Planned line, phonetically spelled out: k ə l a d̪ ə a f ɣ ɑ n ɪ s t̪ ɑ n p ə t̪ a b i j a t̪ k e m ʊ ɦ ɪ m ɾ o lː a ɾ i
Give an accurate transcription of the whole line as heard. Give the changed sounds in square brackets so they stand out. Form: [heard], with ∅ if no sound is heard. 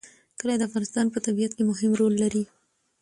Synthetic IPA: k ə l a d̪ ə a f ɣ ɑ n ɪ s t̪ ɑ n p ə t̪ a b i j a t̪ k e m ʊ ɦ ɪ m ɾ o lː a ɾ i